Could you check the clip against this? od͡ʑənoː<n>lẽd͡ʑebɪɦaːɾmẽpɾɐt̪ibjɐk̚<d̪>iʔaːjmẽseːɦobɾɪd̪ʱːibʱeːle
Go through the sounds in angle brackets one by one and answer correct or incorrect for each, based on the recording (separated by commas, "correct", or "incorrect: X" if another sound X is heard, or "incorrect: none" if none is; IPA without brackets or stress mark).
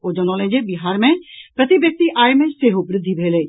incorrect: none, incorrect: t̪